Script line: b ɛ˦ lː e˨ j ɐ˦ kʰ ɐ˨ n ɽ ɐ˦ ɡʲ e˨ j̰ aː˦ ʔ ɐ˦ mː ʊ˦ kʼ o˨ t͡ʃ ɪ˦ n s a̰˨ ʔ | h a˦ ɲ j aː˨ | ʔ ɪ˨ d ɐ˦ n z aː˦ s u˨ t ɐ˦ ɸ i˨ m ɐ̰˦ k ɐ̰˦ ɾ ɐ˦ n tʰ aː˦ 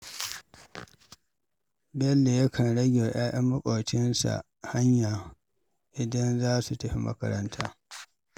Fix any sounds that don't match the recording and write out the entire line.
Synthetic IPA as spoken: b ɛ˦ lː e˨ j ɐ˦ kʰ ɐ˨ n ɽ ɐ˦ ɡʲ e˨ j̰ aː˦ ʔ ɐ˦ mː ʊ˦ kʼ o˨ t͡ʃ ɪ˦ n s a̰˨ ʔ | h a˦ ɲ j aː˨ | ʔ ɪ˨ d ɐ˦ n z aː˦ s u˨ t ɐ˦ ɸ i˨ m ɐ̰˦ k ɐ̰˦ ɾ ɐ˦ n tʰ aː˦